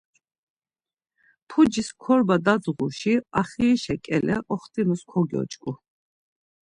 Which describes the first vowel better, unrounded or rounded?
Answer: rounded